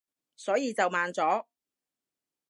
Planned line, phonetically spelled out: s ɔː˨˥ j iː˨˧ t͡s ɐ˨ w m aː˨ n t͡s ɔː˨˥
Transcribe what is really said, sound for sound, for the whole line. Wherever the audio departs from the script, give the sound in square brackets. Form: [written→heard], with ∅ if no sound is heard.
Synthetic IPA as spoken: s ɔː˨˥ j iː˨˧ t͡s ɐ˨ w m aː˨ n t͡s ɔː˨˥